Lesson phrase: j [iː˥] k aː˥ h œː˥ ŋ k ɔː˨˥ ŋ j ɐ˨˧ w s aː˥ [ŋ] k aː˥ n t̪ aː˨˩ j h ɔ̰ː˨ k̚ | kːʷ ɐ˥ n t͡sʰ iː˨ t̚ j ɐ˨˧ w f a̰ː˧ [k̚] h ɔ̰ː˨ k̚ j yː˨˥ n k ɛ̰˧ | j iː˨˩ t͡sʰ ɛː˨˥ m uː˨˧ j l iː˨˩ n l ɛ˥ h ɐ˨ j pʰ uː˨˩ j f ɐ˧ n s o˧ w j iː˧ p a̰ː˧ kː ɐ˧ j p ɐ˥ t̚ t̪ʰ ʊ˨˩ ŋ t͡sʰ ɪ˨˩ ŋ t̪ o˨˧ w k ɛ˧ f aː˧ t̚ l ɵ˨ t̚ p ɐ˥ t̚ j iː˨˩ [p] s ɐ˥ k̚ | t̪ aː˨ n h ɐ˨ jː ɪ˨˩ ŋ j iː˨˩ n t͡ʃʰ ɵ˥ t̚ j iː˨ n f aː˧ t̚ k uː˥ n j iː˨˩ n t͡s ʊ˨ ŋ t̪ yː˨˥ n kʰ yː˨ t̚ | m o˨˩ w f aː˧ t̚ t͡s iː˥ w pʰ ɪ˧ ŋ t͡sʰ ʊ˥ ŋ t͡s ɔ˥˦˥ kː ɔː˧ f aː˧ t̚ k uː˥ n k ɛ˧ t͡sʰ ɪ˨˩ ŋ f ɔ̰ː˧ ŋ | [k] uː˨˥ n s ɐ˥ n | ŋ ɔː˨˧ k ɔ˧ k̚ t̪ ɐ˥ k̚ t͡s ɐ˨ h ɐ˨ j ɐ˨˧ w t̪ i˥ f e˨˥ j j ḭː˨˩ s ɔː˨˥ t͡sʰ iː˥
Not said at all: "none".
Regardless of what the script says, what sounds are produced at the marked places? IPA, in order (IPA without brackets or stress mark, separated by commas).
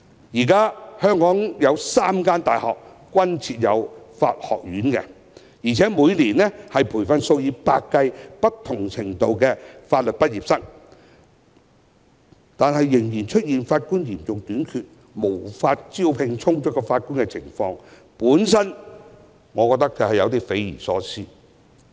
iː˨˩, m, t̚, p, p